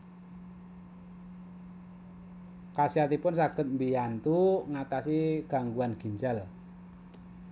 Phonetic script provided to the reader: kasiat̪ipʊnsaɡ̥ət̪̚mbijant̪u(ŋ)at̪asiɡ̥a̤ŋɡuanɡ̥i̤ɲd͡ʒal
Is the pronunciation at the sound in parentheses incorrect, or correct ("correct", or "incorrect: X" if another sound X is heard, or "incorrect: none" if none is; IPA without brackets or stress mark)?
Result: correct